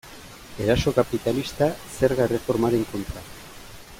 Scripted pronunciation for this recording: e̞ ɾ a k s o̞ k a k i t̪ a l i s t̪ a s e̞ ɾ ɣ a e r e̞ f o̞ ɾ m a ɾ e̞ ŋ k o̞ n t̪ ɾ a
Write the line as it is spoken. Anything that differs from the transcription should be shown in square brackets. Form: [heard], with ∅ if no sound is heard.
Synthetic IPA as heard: e̞ ɾ a [∅] s o̞ k a [p] i t̪ a l i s t̪ a s e̞ ɾ ɣ a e r e̞ f o̞ ɾ m a ɾ e̞ ŋ k o̞ n t̪ ɾ a